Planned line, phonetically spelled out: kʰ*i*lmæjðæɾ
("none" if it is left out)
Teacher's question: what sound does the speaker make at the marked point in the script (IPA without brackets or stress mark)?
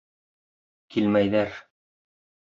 i